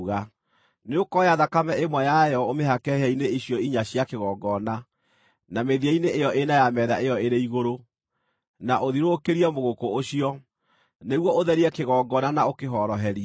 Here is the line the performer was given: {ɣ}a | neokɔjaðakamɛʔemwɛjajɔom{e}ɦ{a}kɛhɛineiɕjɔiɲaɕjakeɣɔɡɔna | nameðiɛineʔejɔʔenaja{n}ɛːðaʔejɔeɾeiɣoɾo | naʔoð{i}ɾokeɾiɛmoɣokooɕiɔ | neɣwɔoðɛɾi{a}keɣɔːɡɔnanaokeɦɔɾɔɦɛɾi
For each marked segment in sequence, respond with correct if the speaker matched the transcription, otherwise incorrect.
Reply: correct, correct, correct, incorrect, correct, incorrect

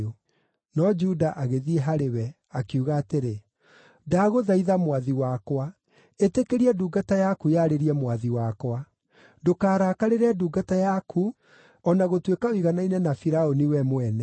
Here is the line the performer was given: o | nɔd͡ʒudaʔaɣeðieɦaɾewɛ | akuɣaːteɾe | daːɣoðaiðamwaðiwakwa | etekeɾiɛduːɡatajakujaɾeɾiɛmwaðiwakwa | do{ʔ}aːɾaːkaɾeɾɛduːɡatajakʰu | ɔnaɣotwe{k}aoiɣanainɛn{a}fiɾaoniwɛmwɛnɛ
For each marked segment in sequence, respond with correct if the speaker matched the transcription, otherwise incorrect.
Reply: incorrect, correct, correct

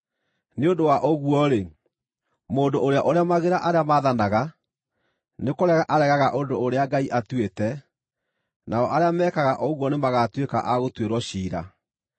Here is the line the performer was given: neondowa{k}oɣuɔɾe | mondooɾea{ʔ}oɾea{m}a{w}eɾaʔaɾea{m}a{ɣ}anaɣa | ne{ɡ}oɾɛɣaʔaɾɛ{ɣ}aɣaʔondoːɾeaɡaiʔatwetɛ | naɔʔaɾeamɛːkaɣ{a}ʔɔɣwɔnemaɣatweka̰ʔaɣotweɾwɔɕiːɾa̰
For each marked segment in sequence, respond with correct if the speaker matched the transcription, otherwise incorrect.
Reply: incorrect, correct, correct, incorrect, correct, incorrect, incorrect, correct, correct

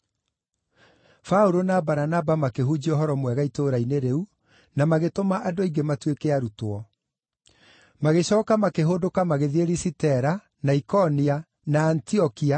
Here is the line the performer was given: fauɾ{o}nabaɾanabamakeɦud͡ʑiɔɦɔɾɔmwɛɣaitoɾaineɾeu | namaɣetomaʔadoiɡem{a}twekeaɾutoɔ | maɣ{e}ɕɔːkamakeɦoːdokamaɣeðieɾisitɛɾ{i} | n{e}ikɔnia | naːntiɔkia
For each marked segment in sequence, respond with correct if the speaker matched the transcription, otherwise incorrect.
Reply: correct, correct, correct, incorrect, incorrect

